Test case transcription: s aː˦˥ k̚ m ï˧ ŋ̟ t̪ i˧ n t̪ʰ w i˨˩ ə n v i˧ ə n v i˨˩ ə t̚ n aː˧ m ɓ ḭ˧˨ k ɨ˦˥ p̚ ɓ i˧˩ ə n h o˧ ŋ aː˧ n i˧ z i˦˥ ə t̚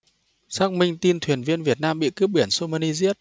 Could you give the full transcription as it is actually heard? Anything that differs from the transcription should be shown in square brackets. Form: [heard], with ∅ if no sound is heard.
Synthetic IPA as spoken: s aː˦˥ k̚ m ï˧ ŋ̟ t̪ i˧ n t̪ʰ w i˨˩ ə n v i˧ ə n v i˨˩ ə t̚ n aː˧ m ɓ ḭ˧˨ k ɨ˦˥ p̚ ɓ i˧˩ ə n [s] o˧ [m] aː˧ n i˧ z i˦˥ ə t̚